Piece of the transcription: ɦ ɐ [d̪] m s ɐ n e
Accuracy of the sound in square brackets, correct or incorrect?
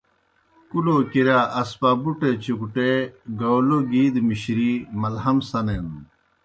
incorrect